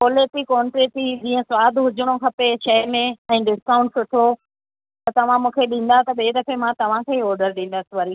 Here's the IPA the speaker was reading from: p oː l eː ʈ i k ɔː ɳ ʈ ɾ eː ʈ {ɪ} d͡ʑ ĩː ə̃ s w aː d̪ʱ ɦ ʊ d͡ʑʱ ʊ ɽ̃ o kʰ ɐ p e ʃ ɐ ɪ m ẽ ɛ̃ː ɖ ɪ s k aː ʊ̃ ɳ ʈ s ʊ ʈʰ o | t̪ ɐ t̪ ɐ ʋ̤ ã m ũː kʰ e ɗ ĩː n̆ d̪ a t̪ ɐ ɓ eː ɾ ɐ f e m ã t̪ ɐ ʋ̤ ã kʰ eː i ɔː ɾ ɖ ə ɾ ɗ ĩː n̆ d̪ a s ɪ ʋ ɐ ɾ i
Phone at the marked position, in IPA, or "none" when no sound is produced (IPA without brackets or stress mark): i